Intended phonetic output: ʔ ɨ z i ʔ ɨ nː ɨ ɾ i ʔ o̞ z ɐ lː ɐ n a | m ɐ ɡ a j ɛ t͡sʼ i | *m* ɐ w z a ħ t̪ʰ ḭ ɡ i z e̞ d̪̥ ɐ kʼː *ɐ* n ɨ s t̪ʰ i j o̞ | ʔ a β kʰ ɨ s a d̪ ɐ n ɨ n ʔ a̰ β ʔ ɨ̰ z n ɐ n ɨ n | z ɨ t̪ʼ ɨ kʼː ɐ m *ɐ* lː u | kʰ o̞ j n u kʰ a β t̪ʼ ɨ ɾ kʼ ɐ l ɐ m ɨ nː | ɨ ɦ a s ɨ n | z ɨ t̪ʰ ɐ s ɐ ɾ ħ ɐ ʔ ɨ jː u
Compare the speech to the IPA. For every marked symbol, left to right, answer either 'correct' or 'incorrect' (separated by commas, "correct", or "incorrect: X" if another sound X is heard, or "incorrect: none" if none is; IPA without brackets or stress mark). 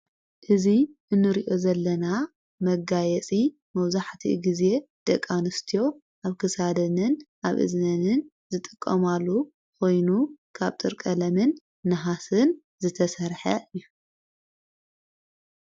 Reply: correct, incorrect: a, incorrect: a